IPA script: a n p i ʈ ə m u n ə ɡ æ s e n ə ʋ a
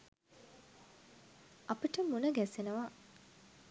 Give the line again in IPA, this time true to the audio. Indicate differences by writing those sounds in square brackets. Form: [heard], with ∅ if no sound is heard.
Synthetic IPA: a [∅] p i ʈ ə m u n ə ɡ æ s e n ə ʋ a